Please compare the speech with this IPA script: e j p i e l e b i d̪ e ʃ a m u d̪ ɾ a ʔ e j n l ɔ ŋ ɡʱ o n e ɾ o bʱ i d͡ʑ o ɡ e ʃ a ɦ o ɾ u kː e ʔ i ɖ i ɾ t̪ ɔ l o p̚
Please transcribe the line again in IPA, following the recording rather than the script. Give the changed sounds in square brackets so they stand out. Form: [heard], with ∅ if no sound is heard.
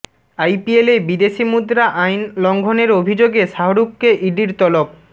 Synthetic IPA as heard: [a] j p i e l e b i d̪ e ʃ [i] m u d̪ ɾ a ʔ [a] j n l ɔ ŋ ɡʱ o n e ɾ o bʱ i d͡ʑ o ɡ e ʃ a ɦ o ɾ u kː e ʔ i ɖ i ɾ t̪ ɔ l o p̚